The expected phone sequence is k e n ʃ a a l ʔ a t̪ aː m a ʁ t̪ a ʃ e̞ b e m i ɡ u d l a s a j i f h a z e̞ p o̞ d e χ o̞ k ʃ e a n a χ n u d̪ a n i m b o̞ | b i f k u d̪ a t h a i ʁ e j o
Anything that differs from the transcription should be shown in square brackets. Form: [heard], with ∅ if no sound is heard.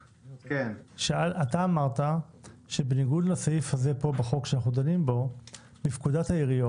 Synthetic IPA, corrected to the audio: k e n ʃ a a l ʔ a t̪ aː m a ʁ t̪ a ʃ e̞ b e [n] i ɡ u d l a s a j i f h a z e̞ p o̞ [b] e χ o̞ k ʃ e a n a χ n u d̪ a n i m b o̞ | b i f k u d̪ a t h a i ʁ [i] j o